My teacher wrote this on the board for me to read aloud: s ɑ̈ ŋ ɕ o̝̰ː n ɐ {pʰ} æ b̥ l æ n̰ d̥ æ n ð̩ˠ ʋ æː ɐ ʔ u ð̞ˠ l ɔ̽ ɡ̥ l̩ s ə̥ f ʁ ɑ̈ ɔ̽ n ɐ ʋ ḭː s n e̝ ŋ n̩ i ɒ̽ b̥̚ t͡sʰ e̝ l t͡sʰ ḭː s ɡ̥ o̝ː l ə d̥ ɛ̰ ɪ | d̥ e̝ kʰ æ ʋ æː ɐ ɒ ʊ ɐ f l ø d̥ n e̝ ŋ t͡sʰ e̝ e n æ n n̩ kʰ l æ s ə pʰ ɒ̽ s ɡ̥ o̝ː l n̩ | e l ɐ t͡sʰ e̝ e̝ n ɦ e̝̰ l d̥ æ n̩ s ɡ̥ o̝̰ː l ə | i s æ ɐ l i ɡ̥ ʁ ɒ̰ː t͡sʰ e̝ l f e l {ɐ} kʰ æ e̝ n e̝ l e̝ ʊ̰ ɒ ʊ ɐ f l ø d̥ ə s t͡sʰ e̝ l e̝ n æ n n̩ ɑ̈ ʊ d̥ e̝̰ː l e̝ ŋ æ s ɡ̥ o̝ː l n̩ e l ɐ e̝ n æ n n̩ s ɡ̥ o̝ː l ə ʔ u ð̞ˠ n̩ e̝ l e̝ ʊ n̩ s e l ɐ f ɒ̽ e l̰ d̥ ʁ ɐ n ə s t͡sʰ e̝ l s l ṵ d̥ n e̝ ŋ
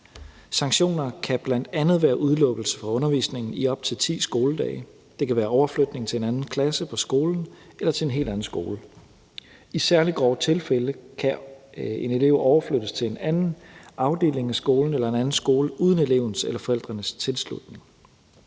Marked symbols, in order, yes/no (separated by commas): no, no